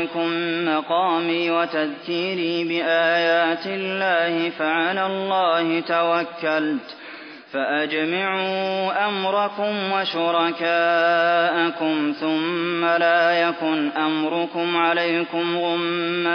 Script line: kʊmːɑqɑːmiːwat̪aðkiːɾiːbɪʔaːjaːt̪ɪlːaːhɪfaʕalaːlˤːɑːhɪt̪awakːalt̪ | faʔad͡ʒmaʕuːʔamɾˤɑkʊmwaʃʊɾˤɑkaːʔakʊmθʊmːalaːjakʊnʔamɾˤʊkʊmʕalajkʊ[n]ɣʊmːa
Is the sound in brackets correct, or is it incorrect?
incorrect